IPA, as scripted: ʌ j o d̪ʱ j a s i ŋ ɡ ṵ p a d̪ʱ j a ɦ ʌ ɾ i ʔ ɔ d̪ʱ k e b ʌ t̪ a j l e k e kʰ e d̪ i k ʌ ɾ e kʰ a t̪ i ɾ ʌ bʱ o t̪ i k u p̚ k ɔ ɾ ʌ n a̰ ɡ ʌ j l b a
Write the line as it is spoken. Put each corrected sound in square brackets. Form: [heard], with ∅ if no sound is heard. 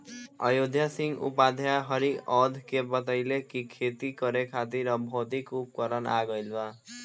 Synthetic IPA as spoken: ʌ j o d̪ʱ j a s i ŋ ɡ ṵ p a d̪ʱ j a ɦ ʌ ɾ i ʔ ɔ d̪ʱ k e b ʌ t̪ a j l e k [i] kʰ e [t̪] i k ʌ ɾ e kʰ a t̪ i ɾ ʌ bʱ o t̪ i k u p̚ k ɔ ɾ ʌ n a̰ ɡ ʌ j l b a